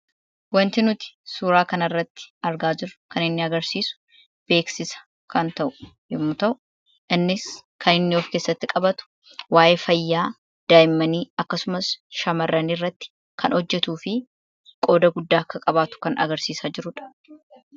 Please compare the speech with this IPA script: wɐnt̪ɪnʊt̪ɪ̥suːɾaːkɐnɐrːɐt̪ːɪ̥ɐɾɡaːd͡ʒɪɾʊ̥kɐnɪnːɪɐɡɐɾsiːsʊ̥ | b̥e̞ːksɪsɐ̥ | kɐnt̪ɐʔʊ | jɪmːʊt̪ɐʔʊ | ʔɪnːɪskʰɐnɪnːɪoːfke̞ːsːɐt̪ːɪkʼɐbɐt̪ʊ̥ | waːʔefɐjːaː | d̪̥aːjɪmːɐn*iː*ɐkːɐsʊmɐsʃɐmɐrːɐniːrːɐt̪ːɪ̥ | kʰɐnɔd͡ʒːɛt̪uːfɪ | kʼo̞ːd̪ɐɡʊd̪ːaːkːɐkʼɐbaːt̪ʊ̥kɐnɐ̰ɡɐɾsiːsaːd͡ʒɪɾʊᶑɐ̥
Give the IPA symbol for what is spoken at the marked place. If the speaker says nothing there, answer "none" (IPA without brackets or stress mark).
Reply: iː